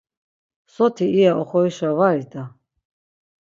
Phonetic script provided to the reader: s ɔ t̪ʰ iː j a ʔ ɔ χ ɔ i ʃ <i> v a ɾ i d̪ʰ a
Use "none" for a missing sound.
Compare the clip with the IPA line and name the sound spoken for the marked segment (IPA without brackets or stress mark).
a